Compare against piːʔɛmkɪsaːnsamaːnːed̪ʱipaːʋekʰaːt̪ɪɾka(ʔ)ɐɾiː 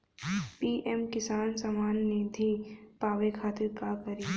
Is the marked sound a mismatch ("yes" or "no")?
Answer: yes